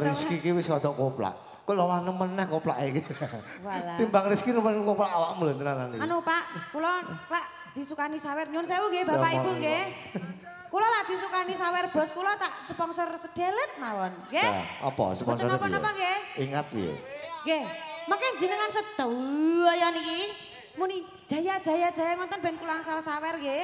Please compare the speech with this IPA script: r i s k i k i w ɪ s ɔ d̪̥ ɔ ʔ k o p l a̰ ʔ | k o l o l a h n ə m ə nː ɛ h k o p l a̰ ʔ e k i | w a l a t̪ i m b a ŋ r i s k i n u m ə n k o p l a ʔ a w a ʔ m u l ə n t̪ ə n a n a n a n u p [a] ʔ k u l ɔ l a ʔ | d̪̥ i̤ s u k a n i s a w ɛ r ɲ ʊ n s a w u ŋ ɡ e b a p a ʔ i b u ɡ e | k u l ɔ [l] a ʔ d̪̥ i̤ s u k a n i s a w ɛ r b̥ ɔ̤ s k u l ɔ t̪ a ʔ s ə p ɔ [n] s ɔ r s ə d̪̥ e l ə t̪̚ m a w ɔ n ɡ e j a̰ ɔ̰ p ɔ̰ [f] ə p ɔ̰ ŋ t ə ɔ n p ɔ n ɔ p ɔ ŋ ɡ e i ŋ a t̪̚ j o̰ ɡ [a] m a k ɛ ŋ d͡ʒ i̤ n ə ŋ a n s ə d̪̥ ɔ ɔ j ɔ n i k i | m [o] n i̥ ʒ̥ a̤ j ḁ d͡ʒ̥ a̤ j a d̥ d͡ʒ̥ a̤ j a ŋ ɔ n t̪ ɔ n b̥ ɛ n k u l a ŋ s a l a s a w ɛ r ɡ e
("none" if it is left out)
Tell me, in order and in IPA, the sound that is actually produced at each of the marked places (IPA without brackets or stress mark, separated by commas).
a, l, ŋ, s, e, u